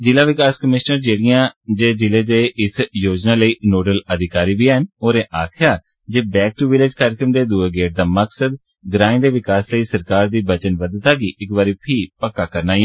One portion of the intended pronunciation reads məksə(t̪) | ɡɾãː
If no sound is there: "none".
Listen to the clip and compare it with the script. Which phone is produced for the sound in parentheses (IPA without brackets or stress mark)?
d̪